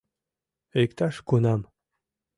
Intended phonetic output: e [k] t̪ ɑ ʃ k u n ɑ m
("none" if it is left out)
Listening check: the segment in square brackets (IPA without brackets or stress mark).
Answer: k